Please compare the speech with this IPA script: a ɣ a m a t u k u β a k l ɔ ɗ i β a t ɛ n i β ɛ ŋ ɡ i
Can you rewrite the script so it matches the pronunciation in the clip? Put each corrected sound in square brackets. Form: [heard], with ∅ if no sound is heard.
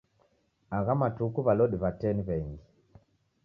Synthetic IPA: a ɣ a m a t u k u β a [∅] l ɔ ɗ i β a t ɛ n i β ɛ ŋ ɡ i